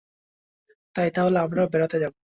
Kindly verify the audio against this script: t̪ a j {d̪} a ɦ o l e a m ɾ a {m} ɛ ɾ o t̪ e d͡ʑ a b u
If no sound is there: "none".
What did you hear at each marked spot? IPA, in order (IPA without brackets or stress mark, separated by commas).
t̪, b